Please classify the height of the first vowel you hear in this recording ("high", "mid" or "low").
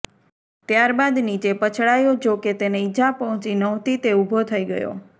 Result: low